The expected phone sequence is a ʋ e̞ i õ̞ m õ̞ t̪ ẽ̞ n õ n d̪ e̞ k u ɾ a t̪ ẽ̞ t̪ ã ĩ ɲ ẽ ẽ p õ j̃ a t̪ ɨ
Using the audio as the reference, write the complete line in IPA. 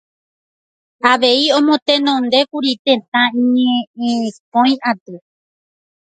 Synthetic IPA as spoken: a ʋ e̞ i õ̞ m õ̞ t̪ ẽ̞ n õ n d̪ e̞ k u ɾ i t̪ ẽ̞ t̪ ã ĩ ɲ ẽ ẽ p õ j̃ a t̪ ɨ